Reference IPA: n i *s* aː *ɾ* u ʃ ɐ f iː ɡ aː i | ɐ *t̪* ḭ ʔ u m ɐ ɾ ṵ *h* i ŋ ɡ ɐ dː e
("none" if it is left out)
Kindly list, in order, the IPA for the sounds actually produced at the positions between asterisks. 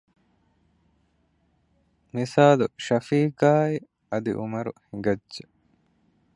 s, l, d̪, h

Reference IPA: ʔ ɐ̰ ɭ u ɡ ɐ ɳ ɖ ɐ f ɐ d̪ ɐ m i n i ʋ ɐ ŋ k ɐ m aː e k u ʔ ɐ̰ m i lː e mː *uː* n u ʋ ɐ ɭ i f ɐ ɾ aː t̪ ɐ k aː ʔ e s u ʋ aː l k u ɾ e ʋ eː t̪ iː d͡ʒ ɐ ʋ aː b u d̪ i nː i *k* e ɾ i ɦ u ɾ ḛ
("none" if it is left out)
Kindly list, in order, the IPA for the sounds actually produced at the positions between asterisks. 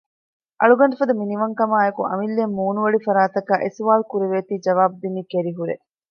uː, k

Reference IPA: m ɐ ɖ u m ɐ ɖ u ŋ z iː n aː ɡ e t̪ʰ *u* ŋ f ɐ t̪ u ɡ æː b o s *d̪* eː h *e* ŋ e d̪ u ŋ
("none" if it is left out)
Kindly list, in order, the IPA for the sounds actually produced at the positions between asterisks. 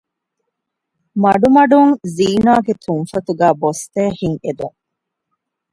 u, t̪, i

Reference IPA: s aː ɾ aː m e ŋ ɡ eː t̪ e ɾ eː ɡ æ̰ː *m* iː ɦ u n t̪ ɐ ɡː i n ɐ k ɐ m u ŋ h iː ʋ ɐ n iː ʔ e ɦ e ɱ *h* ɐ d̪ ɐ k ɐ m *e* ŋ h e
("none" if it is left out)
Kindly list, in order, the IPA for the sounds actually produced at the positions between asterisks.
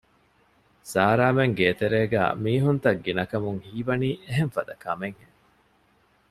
m, f, e

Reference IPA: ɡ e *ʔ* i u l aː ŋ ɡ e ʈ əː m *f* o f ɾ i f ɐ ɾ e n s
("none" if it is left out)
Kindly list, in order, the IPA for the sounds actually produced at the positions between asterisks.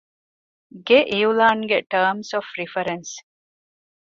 ʔ, s

